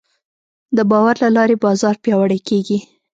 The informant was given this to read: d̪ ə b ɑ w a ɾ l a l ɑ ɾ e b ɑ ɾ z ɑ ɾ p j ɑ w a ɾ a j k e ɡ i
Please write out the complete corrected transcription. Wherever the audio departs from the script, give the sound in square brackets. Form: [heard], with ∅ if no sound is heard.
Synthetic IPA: d̪ ə b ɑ w a ɾ l a l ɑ ɾ e b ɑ [∅] z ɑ ɾ p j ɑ w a [ɽ] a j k e ɡ i